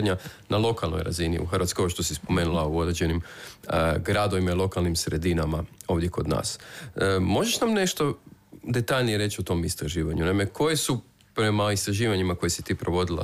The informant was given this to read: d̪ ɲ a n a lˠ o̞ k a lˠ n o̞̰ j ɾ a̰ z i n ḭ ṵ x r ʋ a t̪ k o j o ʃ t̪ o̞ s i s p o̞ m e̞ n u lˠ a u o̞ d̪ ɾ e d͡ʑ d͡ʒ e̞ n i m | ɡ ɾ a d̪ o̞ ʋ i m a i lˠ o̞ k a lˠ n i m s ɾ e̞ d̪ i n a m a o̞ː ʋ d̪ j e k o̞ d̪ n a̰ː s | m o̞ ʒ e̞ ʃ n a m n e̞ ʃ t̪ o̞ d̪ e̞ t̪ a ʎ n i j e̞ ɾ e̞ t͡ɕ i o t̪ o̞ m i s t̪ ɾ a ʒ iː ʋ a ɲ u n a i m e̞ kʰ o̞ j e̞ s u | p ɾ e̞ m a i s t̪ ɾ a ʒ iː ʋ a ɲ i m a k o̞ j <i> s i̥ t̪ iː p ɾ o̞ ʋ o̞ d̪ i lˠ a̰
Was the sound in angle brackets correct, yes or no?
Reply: no